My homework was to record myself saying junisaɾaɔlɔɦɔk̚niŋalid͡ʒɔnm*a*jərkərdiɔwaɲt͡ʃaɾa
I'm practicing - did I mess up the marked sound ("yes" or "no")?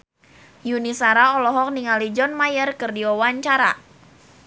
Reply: no